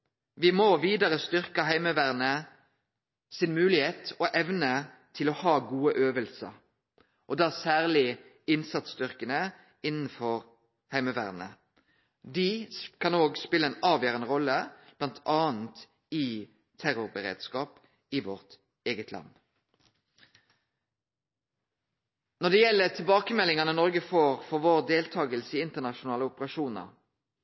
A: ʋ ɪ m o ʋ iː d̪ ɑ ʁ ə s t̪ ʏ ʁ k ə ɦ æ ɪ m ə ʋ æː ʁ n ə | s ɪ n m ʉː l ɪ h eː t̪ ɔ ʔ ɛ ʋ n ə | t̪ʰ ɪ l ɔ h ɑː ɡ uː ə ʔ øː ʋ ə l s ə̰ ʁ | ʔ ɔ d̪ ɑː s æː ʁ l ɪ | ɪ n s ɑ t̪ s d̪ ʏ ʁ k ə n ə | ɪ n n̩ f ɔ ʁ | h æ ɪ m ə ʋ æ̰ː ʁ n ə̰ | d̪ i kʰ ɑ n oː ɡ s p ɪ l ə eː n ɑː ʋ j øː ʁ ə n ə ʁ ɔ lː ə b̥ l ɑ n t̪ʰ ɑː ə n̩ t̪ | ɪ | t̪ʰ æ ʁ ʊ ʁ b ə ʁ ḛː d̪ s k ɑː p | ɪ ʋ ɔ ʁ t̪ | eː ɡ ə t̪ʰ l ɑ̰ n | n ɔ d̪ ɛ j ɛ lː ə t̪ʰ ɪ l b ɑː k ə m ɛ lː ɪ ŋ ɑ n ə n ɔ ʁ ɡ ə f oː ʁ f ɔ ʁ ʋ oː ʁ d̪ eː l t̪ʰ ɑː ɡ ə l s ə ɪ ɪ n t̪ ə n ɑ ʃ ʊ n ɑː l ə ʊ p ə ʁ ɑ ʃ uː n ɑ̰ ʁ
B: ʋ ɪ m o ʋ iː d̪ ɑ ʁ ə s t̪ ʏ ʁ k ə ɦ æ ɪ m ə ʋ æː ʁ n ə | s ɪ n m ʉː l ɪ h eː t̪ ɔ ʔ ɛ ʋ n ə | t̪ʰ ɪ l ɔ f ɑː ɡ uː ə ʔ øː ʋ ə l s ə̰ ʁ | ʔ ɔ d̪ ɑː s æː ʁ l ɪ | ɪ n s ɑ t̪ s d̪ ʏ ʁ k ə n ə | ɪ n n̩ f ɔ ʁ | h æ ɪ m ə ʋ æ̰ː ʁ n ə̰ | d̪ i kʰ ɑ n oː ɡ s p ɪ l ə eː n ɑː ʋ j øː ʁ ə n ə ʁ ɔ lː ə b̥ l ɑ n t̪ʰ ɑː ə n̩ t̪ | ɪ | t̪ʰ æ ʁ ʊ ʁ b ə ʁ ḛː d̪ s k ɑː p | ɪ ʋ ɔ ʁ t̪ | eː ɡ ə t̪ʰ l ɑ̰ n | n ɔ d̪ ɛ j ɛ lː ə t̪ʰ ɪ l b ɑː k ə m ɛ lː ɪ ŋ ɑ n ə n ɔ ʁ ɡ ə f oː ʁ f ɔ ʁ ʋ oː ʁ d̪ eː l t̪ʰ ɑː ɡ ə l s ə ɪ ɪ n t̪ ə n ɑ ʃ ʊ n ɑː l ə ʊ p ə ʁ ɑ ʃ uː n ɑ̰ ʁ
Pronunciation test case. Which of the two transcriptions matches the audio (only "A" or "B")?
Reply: A